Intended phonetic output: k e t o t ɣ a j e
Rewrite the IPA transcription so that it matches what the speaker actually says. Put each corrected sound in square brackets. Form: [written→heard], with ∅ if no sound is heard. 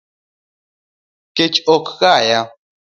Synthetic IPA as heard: k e [t→t͡ʃ] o [t→k] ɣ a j [e→a]